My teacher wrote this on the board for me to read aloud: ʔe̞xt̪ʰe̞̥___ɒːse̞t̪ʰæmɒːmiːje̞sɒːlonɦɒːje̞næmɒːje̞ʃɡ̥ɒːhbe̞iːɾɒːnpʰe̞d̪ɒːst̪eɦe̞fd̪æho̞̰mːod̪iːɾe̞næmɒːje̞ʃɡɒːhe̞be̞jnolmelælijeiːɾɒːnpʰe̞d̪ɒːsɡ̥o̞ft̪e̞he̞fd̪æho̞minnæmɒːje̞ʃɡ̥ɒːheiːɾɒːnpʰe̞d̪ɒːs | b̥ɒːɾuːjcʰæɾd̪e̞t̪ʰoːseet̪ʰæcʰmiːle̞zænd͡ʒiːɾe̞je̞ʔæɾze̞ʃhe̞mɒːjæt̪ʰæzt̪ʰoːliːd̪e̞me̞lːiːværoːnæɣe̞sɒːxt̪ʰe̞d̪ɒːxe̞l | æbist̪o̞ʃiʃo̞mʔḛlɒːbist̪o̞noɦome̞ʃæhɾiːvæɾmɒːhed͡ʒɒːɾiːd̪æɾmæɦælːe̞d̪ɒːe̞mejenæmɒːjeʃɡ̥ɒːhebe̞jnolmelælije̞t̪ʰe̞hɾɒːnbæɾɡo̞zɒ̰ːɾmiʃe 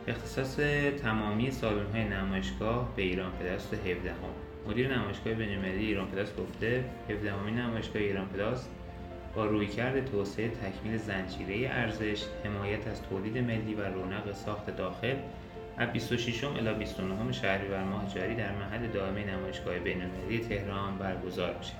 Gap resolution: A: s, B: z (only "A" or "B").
A